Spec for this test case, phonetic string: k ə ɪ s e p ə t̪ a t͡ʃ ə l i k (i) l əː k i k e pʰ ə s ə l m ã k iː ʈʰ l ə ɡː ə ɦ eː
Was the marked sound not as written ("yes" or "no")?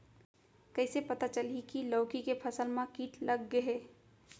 no